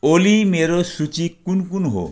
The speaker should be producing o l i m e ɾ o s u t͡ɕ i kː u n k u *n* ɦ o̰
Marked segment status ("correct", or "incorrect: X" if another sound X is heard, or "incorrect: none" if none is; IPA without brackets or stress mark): correct